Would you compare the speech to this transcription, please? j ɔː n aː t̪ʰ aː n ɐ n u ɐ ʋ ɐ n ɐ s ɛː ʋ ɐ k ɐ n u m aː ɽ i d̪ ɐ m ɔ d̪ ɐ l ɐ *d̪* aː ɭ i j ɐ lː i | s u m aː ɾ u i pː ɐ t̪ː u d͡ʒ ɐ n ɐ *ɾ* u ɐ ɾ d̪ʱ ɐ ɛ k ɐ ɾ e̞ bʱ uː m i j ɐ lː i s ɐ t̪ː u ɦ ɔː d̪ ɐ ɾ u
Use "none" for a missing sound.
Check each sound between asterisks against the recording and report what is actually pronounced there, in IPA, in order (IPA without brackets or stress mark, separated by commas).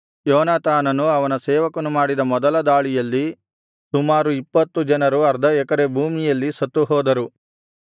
d̪, ɾ